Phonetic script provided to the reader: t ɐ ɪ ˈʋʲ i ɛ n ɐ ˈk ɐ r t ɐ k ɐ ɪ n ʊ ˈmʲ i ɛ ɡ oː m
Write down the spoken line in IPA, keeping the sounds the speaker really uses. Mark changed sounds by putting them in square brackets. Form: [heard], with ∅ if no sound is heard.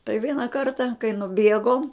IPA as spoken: t ɐ ɪ ˈʋʲ i ɛ n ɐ ˈk ɐ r t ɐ k ɐ ɪ n ʊ [ˈbʲ] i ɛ ɡ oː m